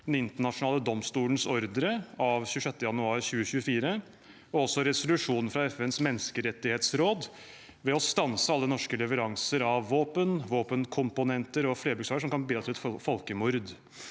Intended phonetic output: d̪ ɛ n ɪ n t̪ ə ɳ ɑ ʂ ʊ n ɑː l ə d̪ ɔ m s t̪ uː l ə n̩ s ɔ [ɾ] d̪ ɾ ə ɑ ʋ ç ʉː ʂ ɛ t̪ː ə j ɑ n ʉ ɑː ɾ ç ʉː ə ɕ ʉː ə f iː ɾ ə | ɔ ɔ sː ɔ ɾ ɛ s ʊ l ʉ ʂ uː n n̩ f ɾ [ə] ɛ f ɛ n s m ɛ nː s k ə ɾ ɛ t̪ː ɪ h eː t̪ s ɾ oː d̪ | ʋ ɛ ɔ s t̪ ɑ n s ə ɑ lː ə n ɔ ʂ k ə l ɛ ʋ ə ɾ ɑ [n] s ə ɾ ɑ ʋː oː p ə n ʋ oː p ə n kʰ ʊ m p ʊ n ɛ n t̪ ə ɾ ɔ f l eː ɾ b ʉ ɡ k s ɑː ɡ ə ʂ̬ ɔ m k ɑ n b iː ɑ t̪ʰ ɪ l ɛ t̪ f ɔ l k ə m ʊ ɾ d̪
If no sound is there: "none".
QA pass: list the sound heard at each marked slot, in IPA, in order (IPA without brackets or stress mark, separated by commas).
ɾ, ɑ, ŋ